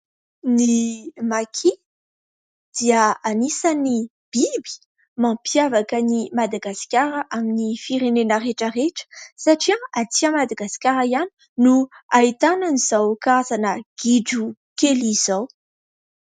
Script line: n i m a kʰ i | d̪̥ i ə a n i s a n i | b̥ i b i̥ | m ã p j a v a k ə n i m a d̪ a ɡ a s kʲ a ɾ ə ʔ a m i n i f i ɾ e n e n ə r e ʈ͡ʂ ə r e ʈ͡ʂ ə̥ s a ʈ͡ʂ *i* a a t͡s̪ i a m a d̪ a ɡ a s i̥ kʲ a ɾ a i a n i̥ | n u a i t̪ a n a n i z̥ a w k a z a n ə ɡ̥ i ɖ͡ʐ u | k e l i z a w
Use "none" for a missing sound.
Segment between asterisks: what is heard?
i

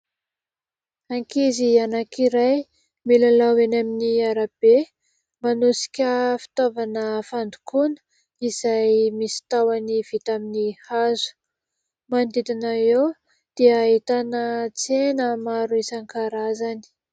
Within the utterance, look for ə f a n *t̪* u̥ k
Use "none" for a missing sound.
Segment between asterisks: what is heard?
d̪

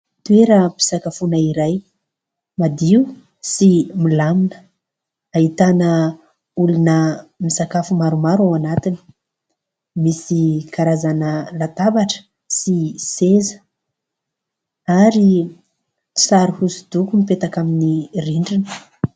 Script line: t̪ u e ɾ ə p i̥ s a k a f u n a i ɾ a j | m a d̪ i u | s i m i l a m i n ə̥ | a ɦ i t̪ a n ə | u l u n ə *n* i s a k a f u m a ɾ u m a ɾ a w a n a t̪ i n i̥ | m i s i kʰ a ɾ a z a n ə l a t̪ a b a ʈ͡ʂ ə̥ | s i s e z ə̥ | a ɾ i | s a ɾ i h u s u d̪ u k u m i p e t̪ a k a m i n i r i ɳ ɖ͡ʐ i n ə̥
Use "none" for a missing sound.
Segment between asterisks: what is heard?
m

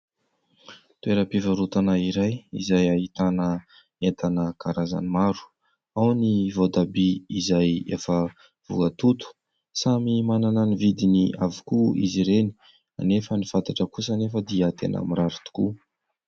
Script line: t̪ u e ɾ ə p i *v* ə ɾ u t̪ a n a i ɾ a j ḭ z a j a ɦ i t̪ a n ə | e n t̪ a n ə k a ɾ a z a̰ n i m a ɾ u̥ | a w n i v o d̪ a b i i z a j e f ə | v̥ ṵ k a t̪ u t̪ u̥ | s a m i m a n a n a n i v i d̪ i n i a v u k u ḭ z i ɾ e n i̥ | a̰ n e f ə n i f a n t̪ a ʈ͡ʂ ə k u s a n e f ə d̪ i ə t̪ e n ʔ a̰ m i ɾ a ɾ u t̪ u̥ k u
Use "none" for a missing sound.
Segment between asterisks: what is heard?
v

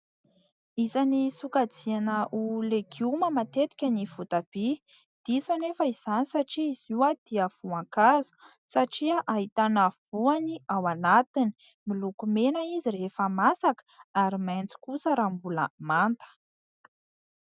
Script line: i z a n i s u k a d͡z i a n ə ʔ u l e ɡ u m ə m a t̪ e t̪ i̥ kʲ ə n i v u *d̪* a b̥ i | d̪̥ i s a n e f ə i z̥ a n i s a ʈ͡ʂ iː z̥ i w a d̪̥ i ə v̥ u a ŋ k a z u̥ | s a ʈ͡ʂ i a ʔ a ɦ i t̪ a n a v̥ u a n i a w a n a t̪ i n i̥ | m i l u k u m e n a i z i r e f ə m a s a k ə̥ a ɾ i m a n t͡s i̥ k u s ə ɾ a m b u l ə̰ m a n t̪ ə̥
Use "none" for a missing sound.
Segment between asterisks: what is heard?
t̪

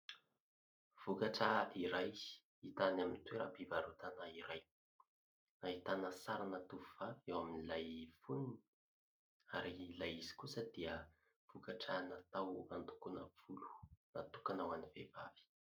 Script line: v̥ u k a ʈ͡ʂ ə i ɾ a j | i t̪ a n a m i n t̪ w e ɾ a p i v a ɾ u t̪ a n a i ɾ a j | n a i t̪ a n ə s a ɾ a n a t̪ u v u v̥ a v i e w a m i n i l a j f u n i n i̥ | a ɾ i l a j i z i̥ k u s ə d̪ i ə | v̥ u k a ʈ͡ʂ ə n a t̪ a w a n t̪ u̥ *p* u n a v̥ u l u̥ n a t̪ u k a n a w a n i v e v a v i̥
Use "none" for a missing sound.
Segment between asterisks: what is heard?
k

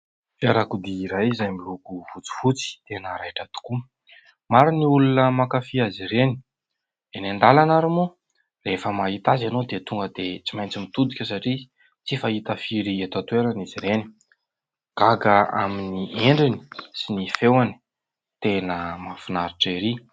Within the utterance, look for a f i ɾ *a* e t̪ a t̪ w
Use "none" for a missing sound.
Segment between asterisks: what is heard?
i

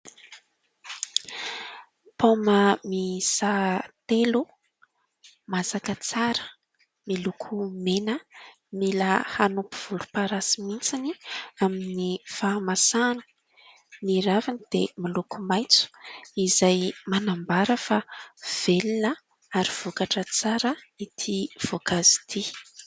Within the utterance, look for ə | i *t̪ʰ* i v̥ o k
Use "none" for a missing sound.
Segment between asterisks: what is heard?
t̪ʰ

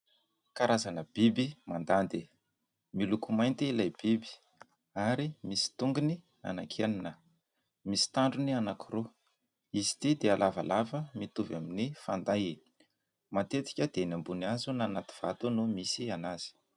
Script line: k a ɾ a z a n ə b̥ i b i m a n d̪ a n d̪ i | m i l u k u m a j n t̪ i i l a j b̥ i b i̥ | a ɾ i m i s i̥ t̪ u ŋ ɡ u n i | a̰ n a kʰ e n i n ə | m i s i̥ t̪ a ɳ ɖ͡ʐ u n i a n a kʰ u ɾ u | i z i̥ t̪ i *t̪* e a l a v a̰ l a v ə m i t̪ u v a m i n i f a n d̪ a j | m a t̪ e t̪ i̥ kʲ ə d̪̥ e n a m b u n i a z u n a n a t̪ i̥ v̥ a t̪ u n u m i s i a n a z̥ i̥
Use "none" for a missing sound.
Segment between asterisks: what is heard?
d̪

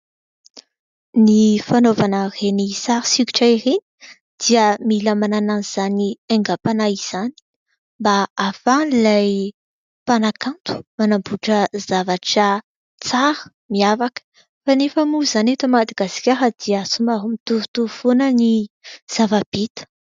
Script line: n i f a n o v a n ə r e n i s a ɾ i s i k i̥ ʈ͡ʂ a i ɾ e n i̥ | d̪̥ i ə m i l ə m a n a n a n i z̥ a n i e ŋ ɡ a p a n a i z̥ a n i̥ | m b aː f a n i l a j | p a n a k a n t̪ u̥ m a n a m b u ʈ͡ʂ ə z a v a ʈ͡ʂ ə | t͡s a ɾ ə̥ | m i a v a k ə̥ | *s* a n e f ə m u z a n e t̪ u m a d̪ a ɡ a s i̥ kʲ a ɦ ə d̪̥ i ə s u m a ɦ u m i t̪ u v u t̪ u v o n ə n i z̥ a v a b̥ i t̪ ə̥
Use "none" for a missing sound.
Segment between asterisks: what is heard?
f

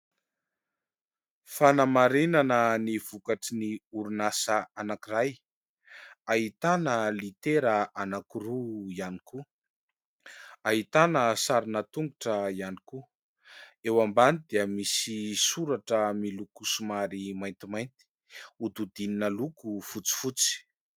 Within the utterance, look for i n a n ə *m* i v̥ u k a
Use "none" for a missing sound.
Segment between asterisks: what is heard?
n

